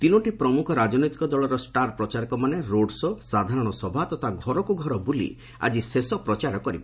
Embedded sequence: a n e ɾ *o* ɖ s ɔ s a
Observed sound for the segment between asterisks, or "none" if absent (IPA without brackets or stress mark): o